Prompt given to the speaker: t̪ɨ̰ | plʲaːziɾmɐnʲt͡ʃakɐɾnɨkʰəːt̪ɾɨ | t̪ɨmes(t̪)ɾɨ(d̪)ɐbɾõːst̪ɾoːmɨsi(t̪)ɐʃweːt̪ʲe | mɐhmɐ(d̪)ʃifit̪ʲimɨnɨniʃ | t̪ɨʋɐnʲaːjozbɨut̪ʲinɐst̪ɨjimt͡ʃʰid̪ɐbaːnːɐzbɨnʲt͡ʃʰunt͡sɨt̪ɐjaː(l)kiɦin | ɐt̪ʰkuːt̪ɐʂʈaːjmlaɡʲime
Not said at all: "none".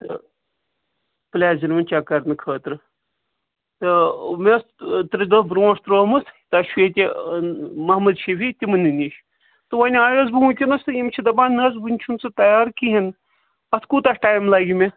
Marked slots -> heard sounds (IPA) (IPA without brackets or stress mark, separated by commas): t̪, d̪, t̪, d̪, ɾ